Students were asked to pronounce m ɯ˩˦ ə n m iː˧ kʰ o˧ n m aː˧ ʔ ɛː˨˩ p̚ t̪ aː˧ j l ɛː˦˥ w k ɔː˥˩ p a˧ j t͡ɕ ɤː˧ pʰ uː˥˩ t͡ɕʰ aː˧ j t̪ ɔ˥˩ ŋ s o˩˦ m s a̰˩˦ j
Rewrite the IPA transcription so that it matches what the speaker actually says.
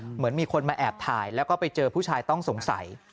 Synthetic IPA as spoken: m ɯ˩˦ ə n m iː˧ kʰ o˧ n m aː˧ ʔ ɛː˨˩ p̚ t̪ʰ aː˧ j l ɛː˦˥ w k ɔː˥˩ p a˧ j t͡ɕ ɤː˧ pʰ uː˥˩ t͡ɕʰ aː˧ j t̪ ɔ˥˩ ŋ s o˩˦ ŋ s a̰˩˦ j

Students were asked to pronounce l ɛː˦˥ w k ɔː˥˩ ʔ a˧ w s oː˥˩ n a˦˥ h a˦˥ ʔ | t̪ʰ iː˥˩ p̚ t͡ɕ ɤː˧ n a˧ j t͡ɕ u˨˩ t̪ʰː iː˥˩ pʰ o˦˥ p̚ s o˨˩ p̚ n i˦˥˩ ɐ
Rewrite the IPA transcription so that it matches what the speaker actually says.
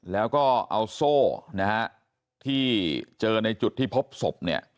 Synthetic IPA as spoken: l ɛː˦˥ w k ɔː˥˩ ʔ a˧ w s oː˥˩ n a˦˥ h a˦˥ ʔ | t̪ʰ iː˥˩ t͡ɕ ɤː˧ n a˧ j t͡ɕ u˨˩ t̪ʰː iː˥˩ pʰ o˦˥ p̚ s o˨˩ p̚ n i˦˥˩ ɐ

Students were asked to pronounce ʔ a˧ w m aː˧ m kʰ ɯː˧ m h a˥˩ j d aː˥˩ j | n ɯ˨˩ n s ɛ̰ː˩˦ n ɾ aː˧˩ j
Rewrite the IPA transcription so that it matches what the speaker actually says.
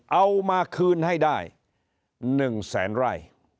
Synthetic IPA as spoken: ʔ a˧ w m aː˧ kʰ ɯː˧ n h a˥˩ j d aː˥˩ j | n ɯ˨˩ ŋ s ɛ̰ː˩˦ n ɾ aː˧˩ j

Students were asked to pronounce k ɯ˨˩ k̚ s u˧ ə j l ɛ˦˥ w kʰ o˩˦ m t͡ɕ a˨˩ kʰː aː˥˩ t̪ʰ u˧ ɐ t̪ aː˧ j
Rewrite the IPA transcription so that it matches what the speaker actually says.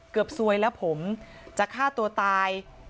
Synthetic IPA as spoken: k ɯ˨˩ p̚ s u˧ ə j l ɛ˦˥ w pʰ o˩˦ m t͡ɕ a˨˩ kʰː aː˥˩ t̪ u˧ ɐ t̪ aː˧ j

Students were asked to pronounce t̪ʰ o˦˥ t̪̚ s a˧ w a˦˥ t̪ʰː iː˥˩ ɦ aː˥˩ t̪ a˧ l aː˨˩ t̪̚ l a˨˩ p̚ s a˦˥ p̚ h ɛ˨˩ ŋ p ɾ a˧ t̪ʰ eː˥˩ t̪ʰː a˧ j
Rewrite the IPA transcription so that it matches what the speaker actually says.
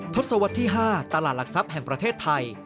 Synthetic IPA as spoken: t̪ʰ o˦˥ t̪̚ s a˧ w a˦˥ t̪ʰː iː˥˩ ɦ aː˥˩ t̪ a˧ l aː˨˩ t̪̚ l a˨˩ k̚ s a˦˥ p̚ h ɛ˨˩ ŋ p ɾ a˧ t̪ʰ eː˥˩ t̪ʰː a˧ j

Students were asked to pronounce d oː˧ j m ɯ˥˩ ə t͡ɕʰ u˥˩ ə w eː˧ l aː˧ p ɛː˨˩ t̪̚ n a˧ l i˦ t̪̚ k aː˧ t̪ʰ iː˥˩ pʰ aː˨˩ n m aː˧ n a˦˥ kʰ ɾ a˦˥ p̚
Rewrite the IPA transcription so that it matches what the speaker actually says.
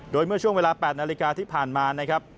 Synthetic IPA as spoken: d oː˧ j m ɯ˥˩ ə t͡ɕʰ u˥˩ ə w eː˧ l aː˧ p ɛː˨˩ t̪̚ n a˧ l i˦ k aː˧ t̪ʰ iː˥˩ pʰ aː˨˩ n m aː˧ n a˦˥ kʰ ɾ a˦˥ p̚

